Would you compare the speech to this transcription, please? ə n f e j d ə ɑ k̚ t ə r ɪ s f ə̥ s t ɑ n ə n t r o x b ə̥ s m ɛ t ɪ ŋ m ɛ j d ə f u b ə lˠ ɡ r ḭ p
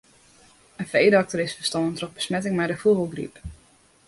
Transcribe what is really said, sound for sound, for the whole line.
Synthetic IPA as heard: ə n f e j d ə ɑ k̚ t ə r ɪ s f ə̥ s t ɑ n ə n t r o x b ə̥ s m ɛ t ɪ ŋ m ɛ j d ə f u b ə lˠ ɡ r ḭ p